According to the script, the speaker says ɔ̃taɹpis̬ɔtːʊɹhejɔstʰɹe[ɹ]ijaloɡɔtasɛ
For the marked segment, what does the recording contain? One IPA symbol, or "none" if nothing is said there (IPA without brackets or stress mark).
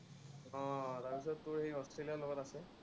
l